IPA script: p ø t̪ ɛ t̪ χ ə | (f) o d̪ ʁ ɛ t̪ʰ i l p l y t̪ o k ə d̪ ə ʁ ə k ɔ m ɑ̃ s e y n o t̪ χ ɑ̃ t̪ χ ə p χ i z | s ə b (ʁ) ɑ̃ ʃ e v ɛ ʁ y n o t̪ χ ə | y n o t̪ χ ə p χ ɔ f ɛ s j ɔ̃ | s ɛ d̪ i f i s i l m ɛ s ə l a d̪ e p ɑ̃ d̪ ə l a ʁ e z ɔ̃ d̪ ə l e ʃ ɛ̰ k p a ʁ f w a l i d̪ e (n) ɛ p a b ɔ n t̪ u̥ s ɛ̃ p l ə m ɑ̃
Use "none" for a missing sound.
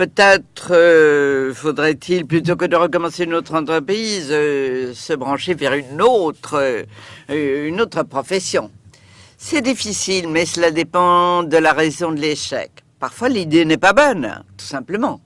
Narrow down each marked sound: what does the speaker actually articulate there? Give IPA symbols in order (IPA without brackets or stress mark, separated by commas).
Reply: f, ʁ, n